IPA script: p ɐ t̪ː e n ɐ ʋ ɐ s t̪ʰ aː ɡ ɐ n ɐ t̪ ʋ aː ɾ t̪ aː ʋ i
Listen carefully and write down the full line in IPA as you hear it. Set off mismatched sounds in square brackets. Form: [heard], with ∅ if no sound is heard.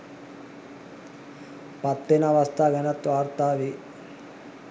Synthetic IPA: p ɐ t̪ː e n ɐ ʋ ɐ s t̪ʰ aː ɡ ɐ n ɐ t̪ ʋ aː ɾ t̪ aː ʋ i